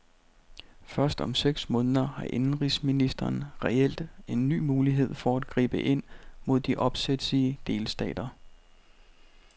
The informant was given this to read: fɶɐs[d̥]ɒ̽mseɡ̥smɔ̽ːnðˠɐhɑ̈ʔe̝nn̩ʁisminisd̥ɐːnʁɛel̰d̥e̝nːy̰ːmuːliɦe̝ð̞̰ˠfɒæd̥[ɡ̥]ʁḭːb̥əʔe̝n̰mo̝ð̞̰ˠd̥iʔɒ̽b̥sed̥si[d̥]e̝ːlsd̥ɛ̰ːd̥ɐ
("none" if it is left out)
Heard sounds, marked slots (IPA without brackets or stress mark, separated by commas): d̥, ɡ̥, d̥